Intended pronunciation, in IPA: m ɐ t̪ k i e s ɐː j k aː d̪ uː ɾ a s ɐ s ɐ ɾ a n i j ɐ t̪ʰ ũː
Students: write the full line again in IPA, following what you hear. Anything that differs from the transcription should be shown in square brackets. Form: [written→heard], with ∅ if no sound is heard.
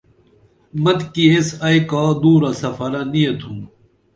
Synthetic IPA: m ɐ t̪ k i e s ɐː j k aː d̪ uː ɾ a s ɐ [s→f] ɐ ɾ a n i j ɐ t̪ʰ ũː